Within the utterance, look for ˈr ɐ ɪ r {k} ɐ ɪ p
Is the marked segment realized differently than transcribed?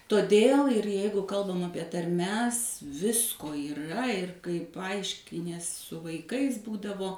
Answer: no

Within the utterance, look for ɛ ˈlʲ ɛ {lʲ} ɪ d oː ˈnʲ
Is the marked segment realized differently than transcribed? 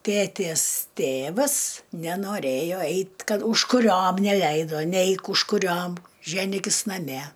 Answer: yes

